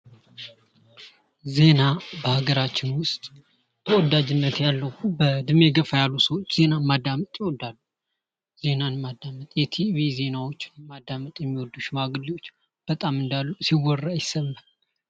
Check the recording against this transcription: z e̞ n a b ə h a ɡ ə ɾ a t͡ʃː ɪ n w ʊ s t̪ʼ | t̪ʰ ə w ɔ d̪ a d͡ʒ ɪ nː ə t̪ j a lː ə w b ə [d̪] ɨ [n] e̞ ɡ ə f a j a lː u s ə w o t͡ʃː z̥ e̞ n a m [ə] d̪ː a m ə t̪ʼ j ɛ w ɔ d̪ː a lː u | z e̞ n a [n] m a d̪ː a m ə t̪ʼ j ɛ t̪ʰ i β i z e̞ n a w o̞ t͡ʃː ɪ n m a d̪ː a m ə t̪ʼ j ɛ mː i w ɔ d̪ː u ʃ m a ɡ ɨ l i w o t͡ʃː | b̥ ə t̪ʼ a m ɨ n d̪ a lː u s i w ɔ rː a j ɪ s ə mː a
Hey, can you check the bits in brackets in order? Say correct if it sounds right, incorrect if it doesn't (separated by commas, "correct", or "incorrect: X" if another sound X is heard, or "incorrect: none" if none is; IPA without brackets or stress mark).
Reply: correct, incorrect: m, incorrect: a, correct